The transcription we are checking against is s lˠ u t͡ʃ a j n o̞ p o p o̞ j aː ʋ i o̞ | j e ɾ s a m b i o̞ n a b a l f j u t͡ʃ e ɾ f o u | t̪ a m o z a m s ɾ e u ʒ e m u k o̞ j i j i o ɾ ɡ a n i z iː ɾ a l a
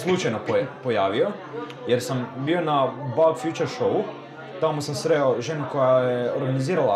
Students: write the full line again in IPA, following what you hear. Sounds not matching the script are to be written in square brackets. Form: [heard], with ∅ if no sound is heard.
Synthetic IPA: s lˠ u t͡ʃ a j n o̞ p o p o̞ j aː ʋ i o̞ | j e ɾ s a m b i o̞ n a b a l f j u t͡ʃ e ɾ [ʃ] o u | t̪ a m o [s] a m s ɾ e [o] ʒ e [n] u k o̞ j [a] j [e] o ɾ ɡ a n i z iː ɾ a l a